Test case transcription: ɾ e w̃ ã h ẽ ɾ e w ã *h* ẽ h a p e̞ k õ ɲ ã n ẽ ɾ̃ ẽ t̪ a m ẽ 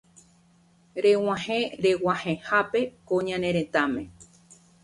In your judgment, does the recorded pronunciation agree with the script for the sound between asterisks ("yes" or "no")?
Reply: yes